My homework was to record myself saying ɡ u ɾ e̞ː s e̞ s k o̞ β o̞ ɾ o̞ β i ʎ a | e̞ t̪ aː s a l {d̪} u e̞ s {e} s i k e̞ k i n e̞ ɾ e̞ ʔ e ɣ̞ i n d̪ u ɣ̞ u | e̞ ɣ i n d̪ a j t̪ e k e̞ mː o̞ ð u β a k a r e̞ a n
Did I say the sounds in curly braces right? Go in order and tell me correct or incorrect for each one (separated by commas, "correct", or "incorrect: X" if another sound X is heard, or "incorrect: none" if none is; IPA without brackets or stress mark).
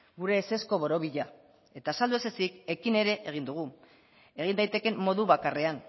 correct, correct